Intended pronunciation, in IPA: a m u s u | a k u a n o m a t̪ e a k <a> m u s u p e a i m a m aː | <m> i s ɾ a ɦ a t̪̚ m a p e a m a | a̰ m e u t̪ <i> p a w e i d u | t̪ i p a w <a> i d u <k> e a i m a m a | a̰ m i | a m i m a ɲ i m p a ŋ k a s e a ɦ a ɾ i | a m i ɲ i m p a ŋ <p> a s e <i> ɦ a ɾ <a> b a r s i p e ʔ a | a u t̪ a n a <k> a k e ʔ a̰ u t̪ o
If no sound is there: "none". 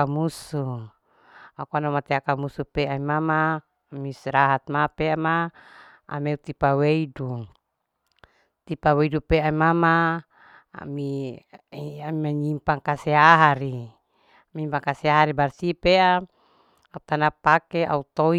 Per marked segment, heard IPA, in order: a, m, i, e, p, k, a, i, p

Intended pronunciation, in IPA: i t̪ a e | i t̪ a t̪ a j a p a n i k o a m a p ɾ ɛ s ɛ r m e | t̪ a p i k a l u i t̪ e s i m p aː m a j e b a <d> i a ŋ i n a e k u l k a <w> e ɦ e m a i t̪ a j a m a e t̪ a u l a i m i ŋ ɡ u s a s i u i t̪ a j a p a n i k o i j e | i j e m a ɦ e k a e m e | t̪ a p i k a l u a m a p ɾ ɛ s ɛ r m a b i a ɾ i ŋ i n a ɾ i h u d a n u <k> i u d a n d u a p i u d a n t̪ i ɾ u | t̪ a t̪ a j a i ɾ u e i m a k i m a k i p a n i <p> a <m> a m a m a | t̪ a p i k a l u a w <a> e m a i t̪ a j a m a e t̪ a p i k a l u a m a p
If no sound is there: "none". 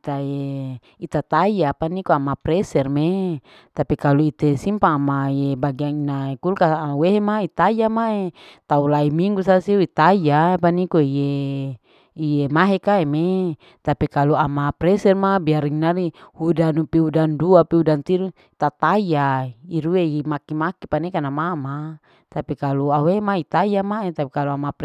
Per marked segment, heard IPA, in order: ɡ, w, p, k, n, e

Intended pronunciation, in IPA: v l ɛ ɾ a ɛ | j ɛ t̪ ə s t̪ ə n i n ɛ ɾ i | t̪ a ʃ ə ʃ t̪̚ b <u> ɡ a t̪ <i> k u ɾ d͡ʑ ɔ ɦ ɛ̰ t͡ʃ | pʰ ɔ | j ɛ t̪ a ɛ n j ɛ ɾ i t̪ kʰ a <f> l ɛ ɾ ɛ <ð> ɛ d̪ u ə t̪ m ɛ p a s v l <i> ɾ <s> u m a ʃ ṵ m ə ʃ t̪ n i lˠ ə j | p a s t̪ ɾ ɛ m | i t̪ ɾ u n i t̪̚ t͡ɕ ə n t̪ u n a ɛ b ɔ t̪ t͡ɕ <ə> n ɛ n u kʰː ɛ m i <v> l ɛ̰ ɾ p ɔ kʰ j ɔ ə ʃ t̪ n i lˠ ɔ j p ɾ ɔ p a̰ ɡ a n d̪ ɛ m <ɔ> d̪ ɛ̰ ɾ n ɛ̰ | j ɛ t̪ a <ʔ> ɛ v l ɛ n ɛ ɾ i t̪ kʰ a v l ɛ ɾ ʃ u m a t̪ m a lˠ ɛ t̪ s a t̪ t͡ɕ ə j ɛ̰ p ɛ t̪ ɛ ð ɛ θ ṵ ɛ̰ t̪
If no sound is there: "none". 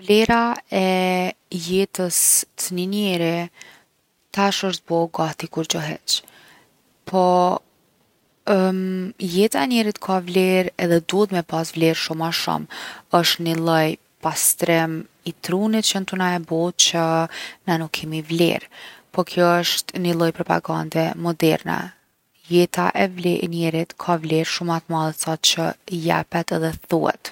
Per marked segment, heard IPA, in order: ɔ, i, v, ð, ɛ, ʃ, ə, v, ɔ, ʔ

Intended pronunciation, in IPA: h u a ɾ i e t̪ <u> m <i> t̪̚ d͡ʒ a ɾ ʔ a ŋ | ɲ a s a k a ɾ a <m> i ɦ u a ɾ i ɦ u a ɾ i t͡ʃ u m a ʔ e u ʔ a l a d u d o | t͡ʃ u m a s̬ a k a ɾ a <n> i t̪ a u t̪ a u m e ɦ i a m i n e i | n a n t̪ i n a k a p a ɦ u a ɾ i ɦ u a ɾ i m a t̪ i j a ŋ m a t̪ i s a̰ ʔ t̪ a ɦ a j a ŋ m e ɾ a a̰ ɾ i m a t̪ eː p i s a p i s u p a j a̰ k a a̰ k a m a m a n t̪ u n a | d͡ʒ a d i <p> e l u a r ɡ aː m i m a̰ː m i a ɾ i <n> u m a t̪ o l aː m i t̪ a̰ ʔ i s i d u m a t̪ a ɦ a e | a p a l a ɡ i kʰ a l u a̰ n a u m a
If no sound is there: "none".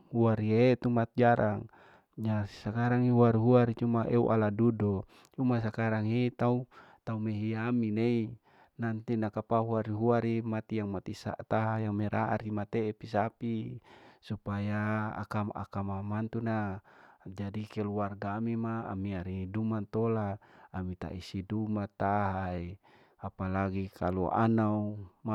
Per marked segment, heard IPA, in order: u, a, ŋ, ŋ, k, d

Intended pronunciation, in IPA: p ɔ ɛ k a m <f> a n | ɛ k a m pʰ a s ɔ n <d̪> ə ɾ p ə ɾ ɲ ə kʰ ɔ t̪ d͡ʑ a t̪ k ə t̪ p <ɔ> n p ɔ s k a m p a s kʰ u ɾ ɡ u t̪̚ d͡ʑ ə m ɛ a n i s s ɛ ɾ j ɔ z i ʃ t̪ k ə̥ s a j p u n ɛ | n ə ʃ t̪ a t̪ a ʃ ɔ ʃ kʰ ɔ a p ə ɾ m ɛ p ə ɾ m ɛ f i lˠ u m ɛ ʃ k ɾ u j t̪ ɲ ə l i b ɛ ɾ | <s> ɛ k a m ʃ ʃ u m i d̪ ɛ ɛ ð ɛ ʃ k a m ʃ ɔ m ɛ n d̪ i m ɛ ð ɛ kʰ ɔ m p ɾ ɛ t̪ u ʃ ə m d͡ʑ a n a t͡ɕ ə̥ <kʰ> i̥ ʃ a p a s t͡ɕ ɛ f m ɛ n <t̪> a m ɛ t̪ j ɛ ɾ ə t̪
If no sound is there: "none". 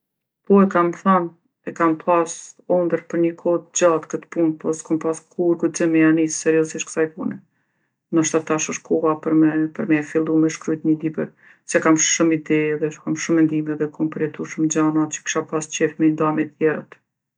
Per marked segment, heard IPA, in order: θ, d̪, u, s, k, d̪

